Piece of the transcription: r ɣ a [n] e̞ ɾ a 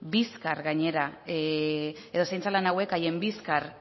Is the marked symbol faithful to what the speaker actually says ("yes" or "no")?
no